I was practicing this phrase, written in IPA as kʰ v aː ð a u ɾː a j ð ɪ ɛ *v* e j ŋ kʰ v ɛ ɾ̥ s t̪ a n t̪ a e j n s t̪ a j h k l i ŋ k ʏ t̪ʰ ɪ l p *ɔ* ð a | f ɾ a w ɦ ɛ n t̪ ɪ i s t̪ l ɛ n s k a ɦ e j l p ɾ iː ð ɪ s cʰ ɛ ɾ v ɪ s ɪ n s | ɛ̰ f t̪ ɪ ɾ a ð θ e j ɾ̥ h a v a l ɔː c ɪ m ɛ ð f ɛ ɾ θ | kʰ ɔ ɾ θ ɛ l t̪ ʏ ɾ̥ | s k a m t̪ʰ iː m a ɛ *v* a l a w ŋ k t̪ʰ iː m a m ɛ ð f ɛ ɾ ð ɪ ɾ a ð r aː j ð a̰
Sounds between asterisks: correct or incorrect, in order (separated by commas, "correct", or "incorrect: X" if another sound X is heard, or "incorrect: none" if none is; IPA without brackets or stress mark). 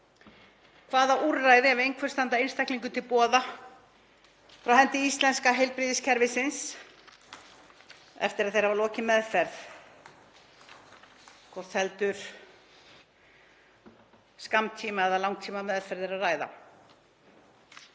correct, incorrect: ɔː, incorrect: ð